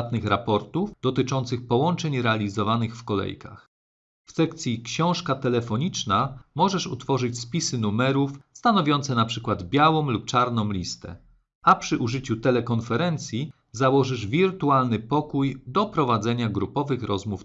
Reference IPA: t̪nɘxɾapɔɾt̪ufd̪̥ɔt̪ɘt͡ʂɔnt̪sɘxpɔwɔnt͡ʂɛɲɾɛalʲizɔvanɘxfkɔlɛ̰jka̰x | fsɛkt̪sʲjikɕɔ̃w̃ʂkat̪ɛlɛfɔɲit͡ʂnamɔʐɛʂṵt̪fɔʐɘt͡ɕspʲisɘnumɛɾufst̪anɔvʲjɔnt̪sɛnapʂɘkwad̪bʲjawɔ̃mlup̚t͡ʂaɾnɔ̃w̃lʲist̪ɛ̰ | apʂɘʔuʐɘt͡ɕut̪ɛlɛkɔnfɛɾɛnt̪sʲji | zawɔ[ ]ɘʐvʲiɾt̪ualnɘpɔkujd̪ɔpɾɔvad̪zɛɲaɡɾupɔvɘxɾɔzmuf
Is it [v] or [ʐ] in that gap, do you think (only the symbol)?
ʐ